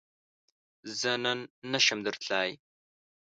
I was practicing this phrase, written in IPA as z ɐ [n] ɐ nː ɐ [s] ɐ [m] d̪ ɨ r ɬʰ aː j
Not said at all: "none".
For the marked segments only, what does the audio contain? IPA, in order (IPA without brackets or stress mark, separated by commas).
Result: n, ʃ, m